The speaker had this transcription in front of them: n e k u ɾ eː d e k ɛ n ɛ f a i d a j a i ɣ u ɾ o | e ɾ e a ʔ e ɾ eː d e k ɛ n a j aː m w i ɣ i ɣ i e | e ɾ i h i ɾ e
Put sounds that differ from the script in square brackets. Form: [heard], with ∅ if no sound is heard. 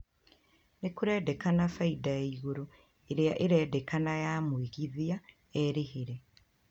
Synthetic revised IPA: n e k u ɾ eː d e k [a] n [a] f a i d a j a i ɣ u ɾ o | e ɾ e a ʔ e ɾ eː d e k [a] n a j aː m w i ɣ i [ð] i [a] | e ɾ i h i ɾ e